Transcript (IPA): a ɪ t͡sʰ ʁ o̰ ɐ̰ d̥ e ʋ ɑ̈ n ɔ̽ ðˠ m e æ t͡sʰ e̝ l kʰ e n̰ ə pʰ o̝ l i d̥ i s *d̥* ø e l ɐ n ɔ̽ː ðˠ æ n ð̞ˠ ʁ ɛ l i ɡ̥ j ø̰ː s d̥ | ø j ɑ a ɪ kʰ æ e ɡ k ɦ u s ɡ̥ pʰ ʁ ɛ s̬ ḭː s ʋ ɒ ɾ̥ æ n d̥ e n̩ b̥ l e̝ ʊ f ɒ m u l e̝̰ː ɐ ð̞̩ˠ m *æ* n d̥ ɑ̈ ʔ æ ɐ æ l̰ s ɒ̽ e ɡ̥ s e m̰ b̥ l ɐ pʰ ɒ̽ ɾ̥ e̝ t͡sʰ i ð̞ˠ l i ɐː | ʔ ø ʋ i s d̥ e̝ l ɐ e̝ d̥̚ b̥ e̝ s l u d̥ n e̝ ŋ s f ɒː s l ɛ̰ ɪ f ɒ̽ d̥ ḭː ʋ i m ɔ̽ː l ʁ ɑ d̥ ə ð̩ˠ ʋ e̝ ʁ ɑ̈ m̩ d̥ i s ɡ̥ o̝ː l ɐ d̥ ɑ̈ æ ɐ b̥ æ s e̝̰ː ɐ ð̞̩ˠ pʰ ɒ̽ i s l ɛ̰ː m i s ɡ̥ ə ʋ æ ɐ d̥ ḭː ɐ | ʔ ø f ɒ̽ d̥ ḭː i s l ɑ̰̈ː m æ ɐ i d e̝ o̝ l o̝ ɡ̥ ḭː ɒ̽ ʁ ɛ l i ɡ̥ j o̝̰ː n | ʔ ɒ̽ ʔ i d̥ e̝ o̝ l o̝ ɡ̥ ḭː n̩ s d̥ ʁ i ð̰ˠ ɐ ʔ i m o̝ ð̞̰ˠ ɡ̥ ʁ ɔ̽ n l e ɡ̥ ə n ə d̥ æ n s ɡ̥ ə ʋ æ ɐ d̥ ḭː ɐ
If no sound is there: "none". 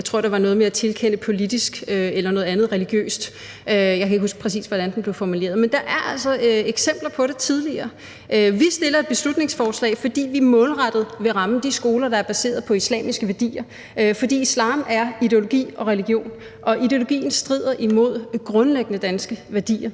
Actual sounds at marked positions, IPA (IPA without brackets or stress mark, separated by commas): ɡ̥, e